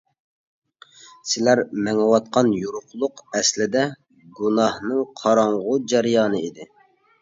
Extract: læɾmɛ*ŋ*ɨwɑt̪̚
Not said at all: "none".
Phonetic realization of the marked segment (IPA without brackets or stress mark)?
ŋ